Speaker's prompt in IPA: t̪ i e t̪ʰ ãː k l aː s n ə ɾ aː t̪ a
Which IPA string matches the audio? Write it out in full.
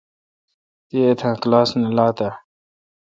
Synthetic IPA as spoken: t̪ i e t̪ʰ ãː k l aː s n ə l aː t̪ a